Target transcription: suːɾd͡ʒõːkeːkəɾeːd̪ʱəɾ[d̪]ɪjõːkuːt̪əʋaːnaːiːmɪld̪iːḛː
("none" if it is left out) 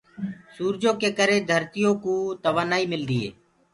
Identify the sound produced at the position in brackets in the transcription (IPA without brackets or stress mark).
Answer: t̪